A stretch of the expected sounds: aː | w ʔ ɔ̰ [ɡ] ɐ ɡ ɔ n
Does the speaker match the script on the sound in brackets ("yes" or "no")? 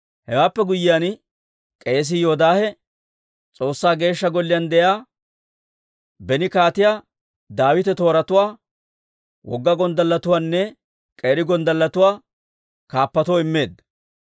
no